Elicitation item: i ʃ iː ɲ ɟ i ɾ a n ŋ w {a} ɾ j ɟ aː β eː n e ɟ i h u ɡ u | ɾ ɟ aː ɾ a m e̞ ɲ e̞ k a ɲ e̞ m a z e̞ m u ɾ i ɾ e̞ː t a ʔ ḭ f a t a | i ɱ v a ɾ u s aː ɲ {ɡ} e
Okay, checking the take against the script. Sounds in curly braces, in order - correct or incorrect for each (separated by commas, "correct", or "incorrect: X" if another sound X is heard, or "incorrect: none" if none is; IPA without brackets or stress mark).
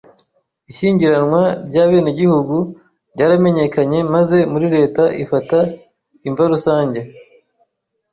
correct, incorrect: ɟ